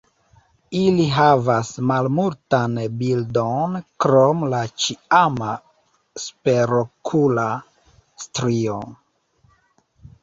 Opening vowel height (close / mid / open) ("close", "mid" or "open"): close